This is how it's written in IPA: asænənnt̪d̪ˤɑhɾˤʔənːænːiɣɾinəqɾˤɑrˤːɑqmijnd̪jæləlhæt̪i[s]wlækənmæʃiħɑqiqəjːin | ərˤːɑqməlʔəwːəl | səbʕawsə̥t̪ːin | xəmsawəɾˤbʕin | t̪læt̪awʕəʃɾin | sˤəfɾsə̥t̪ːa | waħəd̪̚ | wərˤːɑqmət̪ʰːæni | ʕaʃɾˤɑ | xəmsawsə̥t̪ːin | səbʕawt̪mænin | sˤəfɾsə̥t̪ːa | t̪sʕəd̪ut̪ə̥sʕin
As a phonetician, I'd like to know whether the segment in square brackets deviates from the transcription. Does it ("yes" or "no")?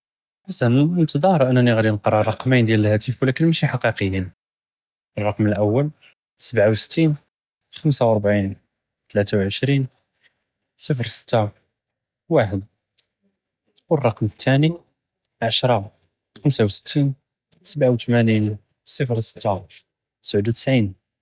yes